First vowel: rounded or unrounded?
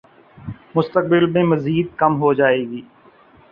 rounded